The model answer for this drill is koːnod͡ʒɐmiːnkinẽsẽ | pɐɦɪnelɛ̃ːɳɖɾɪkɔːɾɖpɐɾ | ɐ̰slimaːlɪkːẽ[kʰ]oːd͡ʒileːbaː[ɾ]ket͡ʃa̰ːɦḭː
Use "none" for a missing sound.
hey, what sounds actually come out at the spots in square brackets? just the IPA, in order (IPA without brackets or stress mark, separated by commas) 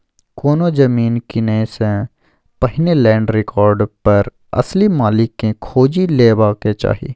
kʰ, none